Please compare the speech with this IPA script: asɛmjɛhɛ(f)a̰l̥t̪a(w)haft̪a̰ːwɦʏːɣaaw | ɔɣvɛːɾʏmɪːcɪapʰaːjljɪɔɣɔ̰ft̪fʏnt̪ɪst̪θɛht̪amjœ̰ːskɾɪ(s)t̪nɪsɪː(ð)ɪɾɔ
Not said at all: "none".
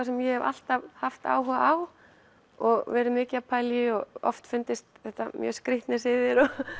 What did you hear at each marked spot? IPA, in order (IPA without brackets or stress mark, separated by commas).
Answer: v, v, h, ð